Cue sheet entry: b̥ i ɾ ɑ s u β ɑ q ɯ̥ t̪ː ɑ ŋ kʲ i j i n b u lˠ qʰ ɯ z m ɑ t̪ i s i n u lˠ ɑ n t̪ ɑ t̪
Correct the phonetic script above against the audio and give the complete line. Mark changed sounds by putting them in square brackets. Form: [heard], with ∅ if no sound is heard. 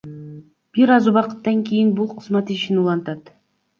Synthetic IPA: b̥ i ɾ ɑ [z] u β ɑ q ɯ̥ t̪ː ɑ ŋ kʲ i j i n b u lˠ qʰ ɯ z m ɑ t̪ i [ʃ] i n u lˠ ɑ n t̪ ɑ t̪